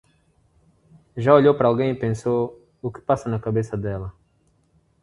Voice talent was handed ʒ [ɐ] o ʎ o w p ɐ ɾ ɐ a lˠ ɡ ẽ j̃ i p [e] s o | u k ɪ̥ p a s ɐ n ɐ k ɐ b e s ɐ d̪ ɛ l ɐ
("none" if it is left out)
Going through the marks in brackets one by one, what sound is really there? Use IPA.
a, ẽ

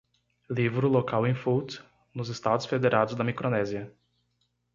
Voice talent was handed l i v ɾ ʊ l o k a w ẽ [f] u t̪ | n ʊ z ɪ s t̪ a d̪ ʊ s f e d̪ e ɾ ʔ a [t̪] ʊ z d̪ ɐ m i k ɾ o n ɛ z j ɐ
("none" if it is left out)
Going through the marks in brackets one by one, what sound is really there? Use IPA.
f, d̪

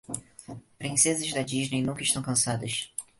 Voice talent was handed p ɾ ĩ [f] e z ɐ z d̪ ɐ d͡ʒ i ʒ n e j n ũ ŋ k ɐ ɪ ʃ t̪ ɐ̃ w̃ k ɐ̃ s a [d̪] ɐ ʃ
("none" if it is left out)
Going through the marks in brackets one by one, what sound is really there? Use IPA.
s, d̪

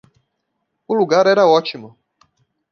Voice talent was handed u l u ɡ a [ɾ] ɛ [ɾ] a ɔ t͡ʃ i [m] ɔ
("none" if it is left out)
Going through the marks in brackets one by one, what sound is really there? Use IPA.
ɾ, ɾ, m

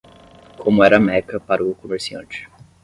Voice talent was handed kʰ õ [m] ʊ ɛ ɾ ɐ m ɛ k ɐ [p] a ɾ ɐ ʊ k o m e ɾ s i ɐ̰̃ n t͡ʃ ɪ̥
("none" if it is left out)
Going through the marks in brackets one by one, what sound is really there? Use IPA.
m, p

